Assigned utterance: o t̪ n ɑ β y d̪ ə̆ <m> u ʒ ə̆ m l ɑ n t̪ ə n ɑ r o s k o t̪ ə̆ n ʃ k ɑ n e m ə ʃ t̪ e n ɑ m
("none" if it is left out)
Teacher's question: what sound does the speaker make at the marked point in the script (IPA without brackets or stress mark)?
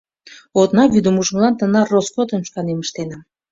m